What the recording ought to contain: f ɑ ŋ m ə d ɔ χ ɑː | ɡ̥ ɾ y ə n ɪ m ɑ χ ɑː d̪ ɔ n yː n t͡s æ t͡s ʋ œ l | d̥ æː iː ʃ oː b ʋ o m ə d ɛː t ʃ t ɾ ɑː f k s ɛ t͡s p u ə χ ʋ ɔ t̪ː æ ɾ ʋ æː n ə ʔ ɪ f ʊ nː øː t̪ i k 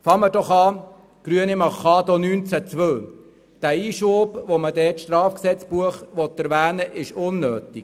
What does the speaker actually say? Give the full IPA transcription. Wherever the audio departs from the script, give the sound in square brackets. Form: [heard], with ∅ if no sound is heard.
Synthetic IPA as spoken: f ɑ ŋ m ə d ɔ χ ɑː | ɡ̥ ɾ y ə n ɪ m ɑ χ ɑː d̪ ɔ n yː n t͡s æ t͡s ʋ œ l | d̥ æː iː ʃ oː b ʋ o m ə d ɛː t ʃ t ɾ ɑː f k s ɛ t͡s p u ə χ ʋ ɔ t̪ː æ ɾ ʋ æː n ə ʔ ɪ [ʃ] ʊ nː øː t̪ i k